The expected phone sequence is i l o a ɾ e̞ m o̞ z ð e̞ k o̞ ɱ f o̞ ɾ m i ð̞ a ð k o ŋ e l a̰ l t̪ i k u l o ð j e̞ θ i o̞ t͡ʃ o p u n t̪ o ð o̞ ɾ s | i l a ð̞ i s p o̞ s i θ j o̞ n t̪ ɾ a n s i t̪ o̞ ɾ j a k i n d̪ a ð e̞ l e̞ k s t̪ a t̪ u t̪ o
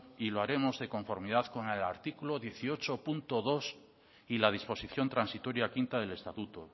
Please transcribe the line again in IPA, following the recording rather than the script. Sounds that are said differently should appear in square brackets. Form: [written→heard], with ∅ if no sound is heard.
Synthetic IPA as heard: i l o a ɾ e̞ m o̞ z ð e̞ k o̞ ɱ f o̞ ɾ m i ð̞ a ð k o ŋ e l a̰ [l→ɾ] t̪ i k u l o ð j e̞ θ i o̞ t͡ʃ o p u n t̪ o ð o̞ [ɾ→∅] s | i l a ð̞ i s p o̞ s i θ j o̞ n t̪ ɾ a n s i t̪ o̞ ɾ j a k i n [d̪→t̪] a ð e̞ l e̞ [k→∅] s t̪ a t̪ u t̪ o